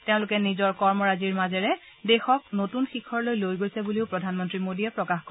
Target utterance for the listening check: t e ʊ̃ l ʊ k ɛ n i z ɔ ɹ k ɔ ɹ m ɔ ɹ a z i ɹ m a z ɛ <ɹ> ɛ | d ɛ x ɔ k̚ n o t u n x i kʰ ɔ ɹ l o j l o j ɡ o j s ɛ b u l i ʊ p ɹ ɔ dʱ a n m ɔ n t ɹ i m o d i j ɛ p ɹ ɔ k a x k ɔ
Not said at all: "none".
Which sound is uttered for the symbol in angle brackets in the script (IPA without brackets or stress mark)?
ɹ